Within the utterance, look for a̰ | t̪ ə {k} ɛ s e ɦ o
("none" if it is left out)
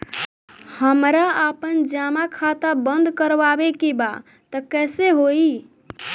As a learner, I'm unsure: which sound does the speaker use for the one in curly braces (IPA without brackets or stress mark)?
k